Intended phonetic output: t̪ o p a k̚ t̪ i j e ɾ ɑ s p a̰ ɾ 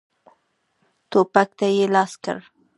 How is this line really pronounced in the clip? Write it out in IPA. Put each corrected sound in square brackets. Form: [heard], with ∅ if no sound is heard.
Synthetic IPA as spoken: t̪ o p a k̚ t̪ [a] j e [l] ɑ s [k] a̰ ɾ